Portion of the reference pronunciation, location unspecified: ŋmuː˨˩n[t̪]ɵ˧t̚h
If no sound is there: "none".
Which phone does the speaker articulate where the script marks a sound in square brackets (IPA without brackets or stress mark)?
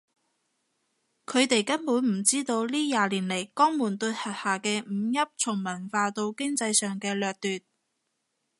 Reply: t̪